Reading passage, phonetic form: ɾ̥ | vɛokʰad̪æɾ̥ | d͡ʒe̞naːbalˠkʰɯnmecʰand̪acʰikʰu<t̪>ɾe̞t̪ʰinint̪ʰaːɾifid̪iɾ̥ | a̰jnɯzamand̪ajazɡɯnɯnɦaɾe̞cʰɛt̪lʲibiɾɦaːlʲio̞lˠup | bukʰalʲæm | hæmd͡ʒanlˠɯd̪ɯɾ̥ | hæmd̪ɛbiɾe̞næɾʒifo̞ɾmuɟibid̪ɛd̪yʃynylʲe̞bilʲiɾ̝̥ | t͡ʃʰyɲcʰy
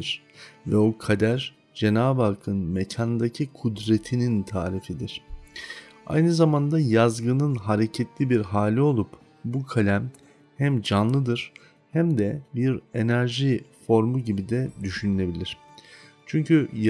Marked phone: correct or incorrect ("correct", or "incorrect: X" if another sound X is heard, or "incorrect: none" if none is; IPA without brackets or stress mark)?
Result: incorrect: d̪